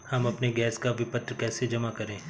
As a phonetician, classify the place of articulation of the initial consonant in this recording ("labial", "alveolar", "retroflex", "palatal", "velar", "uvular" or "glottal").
glottal